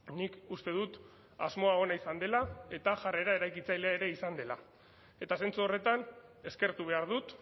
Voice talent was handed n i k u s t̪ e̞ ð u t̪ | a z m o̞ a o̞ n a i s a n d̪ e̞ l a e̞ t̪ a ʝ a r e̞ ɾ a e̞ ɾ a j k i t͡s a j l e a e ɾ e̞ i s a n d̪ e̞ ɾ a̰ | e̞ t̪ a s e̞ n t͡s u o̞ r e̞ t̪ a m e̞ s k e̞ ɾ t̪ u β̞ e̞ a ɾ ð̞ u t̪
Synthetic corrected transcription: n i k u s t̪ e̞ ð u t̪ | a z m o̞ a o̞ n a i s a n d̪ e̞ l a e̞ t̪ a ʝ a r e̞ ɾ a e̞ ɾ a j k i t͡s a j l e a e ɾ e̞ i s a n d̪ e̞ l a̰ | e̞ t̪ a s e̞ n t͡s u o̞ r e̞ t̪ a n e̞ s k e̞ ɾ t̪ u β̞ e̞ a ɾ ð̞ u t̪